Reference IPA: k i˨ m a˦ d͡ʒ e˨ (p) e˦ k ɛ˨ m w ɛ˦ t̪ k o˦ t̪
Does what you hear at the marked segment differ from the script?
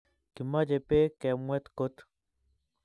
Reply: no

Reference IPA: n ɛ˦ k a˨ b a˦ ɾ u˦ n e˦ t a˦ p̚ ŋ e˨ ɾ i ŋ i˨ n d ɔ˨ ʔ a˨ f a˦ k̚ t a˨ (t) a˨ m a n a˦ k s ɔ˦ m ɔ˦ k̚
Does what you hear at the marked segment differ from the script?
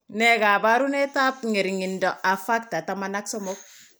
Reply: no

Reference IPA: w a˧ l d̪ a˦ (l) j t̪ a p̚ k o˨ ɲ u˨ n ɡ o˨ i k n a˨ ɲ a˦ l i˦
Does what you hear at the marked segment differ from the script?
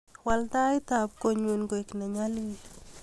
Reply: yes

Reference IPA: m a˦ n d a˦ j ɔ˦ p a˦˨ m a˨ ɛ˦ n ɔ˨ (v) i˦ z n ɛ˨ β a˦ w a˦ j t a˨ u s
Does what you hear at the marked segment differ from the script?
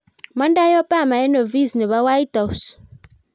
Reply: no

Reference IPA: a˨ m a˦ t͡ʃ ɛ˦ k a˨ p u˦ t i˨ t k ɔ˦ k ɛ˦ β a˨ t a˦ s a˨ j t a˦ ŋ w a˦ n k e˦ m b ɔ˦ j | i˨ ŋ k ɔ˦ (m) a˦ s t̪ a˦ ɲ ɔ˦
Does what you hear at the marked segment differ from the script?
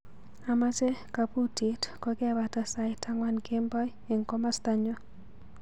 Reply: no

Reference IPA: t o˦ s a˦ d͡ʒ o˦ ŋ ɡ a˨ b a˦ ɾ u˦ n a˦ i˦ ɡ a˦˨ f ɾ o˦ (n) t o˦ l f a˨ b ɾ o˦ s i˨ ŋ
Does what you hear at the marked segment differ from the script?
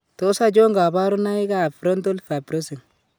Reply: no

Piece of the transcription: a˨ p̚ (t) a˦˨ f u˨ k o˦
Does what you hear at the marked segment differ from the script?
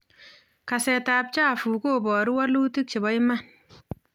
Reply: yes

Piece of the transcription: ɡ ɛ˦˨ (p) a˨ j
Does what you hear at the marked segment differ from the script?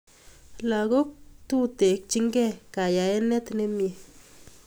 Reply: yes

